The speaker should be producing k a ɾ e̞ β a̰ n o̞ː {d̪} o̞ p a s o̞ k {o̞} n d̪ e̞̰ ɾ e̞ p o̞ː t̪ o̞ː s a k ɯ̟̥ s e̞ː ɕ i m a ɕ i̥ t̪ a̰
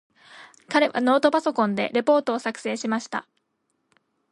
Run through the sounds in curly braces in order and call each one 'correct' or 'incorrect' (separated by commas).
incorrect, incorrect